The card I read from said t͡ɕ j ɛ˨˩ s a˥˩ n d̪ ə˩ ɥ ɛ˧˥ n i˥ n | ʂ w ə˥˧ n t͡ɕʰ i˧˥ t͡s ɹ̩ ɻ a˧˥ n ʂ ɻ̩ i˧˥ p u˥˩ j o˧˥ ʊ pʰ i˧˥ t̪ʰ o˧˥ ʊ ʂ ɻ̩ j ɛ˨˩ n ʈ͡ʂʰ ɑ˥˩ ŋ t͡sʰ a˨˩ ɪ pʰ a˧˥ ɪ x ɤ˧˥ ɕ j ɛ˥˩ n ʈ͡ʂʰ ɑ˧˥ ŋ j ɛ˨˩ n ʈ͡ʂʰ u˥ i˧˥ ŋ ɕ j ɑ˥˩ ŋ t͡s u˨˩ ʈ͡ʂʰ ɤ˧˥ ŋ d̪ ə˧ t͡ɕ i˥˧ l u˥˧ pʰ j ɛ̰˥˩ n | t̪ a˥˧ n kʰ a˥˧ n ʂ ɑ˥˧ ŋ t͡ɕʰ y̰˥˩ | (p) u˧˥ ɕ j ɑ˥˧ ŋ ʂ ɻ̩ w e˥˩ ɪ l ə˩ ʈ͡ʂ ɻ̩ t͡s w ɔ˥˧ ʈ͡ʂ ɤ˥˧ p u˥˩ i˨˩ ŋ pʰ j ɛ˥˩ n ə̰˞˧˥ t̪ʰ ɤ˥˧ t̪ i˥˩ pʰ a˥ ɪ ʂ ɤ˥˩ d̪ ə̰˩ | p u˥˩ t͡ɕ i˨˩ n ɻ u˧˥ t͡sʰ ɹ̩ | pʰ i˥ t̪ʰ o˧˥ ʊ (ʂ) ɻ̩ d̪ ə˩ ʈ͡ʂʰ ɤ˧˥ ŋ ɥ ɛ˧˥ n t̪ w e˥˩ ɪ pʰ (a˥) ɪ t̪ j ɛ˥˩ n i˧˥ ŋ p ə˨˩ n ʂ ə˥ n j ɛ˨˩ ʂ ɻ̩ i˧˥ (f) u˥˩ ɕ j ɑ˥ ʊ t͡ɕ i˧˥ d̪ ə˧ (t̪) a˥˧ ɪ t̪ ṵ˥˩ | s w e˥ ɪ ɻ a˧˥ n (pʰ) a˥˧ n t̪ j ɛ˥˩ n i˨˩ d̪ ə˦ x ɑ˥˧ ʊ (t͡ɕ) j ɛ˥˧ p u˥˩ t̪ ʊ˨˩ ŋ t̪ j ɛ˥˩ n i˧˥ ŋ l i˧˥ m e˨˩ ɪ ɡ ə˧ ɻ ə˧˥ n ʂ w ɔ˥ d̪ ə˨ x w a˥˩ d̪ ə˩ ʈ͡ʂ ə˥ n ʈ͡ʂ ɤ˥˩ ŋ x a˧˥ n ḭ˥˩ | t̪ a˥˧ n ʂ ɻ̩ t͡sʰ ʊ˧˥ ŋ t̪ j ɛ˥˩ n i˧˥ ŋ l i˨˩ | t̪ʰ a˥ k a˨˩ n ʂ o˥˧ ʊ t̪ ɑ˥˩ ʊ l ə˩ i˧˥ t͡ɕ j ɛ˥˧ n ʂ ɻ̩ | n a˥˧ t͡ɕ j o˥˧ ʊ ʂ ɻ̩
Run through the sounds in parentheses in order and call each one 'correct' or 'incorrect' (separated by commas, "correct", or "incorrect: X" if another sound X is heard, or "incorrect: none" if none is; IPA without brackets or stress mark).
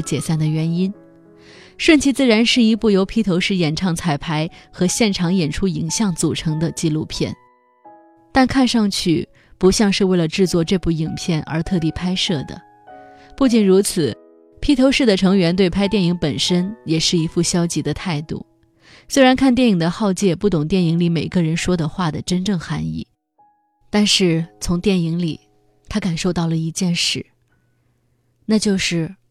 correct, correct, correct, correct, incorrect: t̪ʰ, incorrect: kʰ, correct